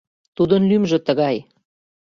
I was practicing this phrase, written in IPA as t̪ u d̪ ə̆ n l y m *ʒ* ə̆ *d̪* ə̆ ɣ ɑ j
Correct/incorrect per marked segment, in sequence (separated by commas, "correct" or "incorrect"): correct, incorrect